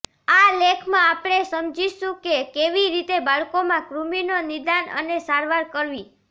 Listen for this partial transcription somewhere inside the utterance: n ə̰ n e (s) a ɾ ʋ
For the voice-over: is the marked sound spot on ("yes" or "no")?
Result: yes